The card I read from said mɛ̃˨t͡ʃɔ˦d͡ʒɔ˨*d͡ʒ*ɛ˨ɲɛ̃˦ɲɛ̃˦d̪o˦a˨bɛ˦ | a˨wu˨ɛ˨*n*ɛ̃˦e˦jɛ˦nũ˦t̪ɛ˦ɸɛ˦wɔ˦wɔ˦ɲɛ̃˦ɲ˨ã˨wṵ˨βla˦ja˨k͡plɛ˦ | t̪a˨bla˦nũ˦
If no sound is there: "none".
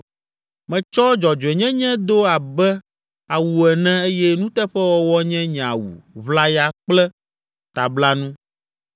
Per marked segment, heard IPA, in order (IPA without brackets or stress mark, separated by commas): d͡ʒ, n